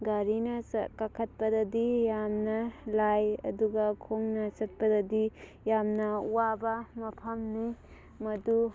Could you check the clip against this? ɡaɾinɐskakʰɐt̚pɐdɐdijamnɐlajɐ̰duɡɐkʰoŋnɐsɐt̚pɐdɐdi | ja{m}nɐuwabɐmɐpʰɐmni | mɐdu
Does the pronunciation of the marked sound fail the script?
no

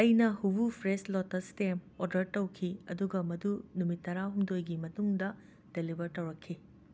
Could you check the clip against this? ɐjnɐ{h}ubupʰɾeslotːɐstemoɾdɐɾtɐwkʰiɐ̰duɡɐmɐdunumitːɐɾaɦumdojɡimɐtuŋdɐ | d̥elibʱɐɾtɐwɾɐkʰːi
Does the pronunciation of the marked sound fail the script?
no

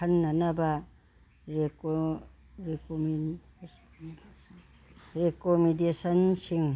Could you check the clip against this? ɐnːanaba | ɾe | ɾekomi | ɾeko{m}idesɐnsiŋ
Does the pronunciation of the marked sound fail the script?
no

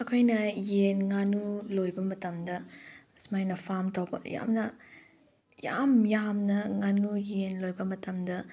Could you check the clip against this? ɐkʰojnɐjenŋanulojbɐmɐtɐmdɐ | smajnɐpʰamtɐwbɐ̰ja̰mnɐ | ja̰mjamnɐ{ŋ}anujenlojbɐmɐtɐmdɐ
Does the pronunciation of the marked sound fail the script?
no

